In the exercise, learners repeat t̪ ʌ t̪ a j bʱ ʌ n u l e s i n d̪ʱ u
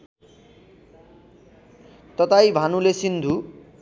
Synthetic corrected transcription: t̪ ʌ t̪ a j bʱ a n u l e s i n d̪ʱ u